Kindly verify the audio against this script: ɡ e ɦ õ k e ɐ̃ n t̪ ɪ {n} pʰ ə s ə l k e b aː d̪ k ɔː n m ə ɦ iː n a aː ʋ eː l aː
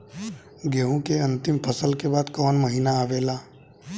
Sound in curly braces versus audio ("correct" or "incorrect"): incorrect